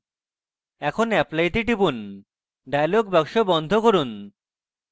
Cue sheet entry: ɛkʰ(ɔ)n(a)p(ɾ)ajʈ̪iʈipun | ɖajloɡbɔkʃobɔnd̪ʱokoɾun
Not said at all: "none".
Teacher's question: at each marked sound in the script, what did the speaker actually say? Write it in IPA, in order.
o, ɛ, l

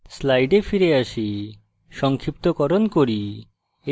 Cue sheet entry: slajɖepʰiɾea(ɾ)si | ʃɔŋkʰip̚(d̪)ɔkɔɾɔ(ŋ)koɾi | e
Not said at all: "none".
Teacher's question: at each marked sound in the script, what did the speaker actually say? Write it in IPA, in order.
none, t̪, n

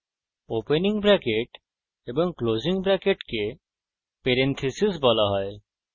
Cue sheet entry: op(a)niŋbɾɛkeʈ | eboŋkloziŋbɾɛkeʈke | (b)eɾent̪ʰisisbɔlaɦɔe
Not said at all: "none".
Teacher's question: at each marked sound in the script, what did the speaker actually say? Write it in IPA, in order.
e, p

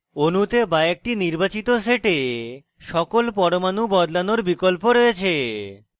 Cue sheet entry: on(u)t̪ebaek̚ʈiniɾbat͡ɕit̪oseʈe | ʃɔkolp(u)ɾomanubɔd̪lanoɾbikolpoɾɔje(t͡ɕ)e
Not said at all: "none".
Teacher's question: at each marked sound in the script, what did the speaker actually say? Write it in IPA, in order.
u, ɔ, t͡ɕʰ

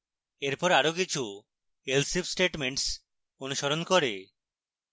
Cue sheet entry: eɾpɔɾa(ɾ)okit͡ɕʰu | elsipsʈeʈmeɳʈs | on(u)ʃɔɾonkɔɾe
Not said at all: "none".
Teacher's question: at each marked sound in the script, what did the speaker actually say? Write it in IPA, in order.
ɾ, u

